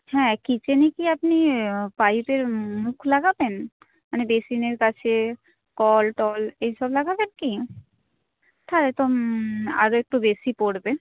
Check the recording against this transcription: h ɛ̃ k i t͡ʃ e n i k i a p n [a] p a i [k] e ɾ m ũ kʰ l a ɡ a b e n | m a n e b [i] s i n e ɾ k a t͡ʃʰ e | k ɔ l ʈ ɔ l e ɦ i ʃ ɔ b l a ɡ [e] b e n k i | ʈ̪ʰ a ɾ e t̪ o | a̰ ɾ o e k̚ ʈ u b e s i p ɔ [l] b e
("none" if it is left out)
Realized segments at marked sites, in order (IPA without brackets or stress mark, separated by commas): i, p, e, a, ɽ